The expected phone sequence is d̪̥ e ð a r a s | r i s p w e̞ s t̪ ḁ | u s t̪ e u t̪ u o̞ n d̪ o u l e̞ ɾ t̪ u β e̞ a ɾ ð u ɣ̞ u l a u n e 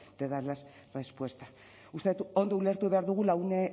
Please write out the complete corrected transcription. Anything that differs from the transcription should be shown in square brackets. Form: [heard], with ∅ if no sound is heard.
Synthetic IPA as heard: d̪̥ e ð a [l] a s | r [e] s p w e̞ s t̪ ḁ | u s t̪ e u t̪ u o̞ n d̪ o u l e̞ ɾ t̪ u β e̞ a ɾ ð u ɣ̞ u l a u n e